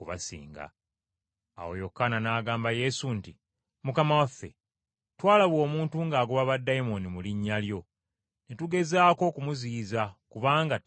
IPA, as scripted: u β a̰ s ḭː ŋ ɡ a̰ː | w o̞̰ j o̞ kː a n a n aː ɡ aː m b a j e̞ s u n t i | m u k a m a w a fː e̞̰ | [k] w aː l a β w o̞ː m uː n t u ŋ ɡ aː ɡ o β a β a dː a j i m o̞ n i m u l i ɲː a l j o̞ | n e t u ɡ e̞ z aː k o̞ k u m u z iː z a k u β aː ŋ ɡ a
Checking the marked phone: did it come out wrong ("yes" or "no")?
yes